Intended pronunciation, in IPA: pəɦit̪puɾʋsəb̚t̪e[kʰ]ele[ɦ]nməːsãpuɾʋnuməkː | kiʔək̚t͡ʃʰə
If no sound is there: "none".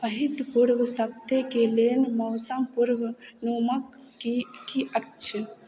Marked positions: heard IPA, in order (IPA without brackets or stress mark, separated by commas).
k, none